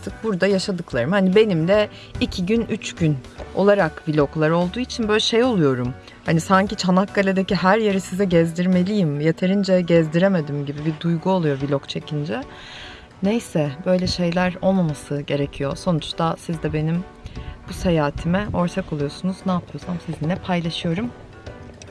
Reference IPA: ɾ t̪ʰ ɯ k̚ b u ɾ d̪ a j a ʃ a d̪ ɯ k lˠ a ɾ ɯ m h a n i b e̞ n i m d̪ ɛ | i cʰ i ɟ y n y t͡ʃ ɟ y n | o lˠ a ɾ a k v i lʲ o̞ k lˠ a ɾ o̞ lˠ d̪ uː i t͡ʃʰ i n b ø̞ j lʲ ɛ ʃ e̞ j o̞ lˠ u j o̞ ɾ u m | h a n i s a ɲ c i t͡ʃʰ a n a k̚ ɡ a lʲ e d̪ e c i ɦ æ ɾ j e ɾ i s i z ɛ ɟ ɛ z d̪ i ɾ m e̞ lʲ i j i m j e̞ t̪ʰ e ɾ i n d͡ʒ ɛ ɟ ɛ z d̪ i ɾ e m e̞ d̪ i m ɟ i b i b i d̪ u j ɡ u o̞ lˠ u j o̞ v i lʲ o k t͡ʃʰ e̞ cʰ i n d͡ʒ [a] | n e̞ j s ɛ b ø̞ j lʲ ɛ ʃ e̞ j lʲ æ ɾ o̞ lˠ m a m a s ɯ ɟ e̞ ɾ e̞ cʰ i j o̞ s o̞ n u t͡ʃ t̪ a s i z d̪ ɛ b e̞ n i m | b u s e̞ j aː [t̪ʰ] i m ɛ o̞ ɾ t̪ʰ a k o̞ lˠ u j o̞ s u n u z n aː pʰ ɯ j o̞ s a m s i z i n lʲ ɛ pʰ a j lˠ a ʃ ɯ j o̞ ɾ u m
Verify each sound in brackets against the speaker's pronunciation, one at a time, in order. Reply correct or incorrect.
incorrect, correct

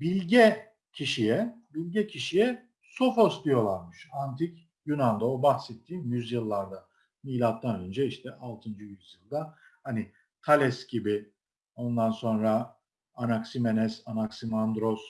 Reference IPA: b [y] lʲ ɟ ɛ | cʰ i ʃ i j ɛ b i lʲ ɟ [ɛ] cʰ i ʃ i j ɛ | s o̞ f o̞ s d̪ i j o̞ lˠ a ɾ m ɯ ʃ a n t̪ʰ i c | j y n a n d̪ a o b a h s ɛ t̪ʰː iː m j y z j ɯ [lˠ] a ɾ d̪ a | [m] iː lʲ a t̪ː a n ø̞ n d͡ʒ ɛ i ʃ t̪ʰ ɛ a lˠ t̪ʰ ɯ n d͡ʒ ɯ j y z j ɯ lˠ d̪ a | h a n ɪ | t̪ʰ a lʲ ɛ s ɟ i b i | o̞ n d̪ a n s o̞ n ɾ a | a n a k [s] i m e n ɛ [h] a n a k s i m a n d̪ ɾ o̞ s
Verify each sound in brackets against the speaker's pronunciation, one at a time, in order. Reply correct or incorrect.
incorrect, correct, incorrect, correct, correct, incorrect

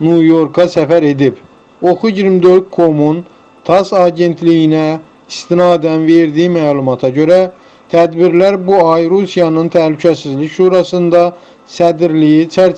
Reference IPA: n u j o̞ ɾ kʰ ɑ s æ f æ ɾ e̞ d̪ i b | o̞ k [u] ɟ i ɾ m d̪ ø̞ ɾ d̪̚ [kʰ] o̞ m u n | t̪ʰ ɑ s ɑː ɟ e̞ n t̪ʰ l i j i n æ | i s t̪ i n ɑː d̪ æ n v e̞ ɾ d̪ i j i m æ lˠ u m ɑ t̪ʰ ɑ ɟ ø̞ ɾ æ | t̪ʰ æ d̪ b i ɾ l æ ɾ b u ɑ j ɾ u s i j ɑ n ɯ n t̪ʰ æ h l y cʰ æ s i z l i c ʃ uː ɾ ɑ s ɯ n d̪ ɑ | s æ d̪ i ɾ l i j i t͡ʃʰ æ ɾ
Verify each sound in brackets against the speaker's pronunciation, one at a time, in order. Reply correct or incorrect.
correct, correct

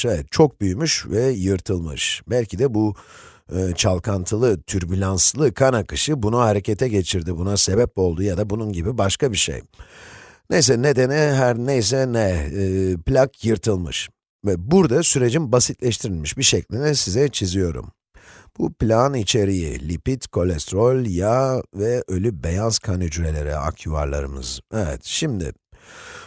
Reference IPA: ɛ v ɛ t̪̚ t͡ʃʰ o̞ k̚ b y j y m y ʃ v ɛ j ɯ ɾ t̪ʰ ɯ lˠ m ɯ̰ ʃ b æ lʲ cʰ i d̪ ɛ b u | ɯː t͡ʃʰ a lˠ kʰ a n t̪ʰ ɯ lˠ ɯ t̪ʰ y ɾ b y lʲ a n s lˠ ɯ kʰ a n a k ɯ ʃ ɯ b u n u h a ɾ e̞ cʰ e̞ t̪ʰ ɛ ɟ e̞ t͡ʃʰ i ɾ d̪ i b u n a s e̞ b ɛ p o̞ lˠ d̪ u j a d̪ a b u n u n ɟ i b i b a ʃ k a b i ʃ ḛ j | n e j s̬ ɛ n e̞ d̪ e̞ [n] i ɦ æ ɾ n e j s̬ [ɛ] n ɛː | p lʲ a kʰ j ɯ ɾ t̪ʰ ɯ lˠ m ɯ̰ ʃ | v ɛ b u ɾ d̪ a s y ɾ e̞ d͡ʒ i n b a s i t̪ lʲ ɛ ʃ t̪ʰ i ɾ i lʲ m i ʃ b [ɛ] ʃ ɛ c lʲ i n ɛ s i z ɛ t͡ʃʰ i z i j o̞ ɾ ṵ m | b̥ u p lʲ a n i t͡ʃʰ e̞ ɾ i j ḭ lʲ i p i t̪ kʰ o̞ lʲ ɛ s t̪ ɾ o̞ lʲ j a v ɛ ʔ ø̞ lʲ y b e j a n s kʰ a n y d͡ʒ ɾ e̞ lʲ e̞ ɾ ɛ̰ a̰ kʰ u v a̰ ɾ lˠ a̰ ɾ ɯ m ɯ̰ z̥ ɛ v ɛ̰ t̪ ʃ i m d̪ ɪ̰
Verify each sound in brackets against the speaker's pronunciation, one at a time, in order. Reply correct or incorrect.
correct, correct, incorrect

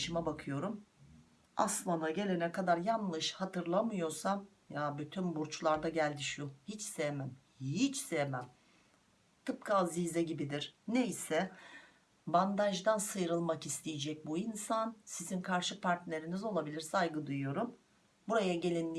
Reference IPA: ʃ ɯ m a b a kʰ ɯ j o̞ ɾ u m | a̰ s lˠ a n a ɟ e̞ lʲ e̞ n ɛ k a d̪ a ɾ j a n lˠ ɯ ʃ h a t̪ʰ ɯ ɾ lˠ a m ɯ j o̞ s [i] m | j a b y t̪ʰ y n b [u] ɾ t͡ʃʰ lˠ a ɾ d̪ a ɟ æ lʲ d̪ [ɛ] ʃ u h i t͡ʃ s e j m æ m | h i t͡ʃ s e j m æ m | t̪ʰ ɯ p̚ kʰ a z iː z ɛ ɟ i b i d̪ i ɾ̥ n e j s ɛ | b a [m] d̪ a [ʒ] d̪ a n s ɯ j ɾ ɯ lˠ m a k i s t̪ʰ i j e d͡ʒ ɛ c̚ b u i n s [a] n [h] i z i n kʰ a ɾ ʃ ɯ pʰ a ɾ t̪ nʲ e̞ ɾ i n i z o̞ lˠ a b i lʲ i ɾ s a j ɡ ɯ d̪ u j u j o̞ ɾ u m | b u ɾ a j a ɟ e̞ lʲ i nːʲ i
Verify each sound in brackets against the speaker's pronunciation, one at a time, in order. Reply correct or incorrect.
incorrect, correct, incorrect, incorrect, correct, correct, incorrect

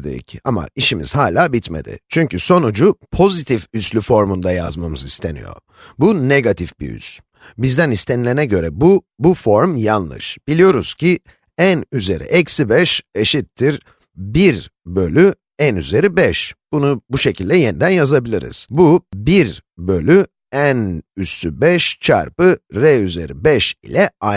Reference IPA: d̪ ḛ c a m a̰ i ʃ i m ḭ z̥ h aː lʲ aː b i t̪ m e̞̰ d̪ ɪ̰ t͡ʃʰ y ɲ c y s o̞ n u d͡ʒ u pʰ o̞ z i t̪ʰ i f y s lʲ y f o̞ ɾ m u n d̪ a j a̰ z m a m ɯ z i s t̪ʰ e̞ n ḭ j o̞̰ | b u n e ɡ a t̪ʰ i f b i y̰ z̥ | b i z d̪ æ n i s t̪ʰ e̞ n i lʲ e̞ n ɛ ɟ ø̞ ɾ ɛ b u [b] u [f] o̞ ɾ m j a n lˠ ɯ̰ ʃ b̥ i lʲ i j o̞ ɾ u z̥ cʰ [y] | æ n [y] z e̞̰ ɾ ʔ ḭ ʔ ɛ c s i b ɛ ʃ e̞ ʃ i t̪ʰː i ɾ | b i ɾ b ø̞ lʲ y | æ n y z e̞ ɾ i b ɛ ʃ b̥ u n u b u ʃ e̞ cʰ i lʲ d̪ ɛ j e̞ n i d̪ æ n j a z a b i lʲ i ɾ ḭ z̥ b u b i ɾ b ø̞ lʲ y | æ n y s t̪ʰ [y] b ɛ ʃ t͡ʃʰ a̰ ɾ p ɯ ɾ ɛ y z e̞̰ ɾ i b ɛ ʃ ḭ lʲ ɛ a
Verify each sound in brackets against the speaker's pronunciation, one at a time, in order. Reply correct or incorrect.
correct, correct, incorrect, correct, correct

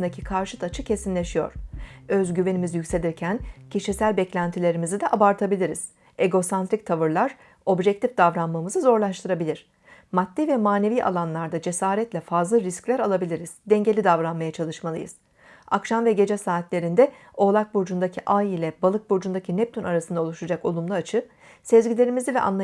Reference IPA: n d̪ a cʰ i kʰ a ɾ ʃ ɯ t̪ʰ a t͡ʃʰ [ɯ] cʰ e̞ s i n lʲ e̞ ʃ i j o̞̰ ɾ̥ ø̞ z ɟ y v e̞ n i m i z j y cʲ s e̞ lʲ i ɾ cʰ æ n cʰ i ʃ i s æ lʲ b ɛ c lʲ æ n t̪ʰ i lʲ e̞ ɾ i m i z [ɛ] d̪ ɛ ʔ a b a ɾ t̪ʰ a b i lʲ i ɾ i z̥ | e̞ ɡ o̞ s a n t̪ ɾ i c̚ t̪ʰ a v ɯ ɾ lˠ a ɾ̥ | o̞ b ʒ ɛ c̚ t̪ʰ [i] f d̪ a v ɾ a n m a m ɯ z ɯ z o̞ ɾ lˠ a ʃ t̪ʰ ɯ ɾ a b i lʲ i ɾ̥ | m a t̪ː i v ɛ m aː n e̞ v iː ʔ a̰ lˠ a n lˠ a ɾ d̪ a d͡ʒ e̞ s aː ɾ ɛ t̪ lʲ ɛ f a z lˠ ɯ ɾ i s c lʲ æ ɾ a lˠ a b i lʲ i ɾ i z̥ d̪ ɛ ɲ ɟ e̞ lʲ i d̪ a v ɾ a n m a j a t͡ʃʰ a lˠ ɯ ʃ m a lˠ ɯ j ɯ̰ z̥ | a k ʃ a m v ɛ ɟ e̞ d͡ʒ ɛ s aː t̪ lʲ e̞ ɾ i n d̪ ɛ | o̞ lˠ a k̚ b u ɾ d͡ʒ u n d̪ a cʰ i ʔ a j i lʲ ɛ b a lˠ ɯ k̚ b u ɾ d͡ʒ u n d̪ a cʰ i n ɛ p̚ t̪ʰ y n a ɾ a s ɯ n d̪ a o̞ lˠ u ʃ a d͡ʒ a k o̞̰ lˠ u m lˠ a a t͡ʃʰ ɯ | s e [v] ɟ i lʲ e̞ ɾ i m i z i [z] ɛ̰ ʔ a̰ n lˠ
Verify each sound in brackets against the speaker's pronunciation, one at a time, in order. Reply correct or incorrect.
correct, incorrect, correct, incorrect, incorrect

